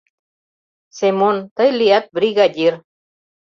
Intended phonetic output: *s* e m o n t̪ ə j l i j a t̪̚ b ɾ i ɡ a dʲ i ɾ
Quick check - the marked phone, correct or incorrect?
correct